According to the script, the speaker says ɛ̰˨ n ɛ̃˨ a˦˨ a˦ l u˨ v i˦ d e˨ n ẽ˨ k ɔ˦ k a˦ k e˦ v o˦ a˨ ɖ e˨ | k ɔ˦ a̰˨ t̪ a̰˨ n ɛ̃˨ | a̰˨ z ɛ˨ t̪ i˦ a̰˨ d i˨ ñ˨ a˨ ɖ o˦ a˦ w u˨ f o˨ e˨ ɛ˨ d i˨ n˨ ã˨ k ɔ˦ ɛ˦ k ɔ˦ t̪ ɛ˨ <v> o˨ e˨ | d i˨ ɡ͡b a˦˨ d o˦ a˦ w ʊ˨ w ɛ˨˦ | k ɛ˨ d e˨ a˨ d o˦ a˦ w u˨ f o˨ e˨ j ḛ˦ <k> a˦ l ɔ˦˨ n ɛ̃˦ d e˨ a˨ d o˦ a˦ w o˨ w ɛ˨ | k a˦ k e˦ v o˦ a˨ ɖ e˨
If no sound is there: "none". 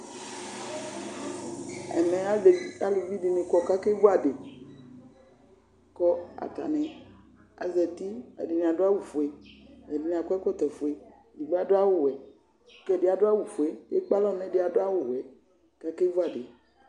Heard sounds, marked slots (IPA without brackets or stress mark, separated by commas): f, k͡p